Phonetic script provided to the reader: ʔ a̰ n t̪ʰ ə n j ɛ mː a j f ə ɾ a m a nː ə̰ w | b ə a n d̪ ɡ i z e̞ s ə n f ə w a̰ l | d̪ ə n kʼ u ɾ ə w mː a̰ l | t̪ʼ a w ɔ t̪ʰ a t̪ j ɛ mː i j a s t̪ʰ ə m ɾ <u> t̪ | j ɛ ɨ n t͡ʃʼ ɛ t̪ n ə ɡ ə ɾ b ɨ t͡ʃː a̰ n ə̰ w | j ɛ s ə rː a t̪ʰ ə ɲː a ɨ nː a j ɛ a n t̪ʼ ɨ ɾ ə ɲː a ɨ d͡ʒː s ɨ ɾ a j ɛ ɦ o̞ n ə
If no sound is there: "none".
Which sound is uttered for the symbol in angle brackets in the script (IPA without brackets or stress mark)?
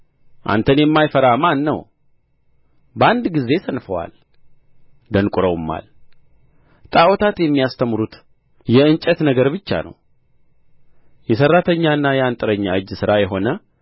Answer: u